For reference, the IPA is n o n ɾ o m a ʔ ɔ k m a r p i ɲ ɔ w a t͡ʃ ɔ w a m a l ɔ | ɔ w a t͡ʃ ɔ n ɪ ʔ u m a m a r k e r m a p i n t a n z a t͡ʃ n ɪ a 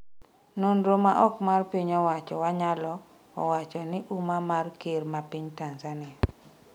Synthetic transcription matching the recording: n o n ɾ o m a ʔ ɔ k m a r p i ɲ ɔ w a t͡ʃ ɔ w a ɲ a l ɔ | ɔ w a t͡ʃ ɔ n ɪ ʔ u m a m a r k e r m a p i ɲ t a n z a n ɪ a